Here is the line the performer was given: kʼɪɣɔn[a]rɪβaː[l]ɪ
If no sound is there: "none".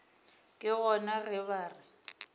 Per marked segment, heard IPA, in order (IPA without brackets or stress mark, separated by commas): a, r